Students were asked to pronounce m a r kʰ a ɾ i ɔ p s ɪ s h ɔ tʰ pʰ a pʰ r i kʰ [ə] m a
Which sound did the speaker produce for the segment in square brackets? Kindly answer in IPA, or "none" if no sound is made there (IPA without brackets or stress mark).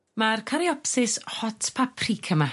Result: ə